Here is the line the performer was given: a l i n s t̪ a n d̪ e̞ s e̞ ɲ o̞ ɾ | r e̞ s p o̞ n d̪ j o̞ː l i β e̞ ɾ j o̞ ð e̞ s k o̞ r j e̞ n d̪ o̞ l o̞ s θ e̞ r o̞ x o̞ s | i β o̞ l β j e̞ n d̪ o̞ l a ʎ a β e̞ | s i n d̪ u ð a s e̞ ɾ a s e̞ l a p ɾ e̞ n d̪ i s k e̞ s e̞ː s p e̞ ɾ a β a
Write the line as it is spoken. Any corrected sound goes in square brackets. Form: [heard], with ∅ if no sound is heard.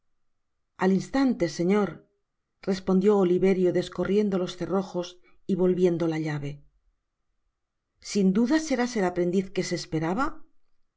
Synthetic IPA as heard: a l i n s t̪ a n [t̪] e̞ s e̞ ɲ o̞ ɾ | r e̞ s p o̞ n d̪ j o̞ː l i β e̞ ɾ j o̞ ð e̞ s k o̞ r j e̞ n d̪ o̞ l o̞ s θ e̞ r o̞ x o̞ s | i β o̞ l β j e̞ n d̪ o̞ l a ʎ a β e̞ | s i n d̪ u ð a s e̞ ɾ a s e̞ l a p ɾ e̞ n d̪ i [θ] k e̞ s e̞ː s p e̞ ɾ a β a